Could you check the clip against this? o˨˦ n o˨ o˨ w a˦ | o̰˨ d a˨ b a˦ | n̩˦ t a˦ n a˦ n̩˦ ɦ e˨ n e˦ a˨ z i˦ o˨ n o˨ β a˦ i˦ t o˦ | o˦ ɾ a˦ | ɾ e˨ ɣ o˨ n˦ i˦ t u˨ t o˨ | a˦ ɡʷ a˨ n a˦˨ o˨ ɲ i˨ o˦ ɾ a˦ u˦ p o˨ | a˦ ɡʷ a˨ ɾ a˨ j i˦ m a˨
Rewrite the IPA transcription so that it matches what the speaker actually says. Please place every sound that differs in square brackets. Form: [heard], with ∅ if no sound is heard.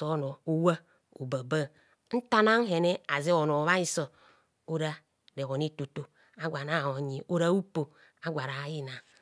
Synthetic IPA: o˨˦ n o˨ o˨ w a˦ | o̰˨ [b] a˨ b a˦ | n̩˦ t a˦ n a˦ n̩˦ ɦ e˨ n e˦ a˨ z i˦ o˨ n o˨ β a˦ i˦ [s] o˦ | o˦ ɾ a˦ | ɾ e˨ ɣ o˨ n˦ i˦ t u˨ t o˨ | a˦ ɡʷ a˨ n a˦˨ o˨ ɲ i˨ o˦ ɾ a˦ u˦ p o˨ | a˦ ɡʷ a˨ ɾ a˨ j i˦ [n] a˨